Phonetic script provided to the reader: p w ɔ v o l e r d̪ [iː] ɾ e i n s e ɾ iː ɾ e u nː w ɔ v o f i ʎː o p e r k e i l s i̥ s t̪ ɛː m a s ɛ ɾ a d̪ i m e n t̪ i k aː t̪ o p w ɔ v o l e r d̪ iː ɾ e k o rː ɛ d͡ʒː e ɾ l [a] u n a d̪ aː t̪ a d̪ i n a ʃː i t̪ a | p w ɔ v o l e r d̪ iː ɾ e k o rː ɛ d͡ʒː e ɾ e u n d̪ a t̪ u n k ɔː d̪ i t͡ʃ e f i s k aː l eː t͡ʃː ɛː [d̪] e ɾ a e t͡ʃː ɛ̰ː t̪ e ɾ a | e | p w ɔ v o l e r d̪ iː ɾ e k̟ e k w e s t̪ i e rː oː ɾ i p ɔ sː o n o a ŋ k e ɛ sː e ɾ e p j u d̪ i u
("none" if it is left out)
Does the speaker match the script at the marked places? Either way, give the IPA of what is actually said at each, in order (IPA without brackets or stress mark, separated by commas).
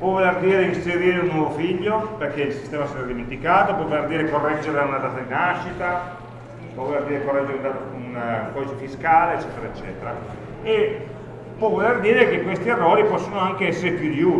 iː, a, t̪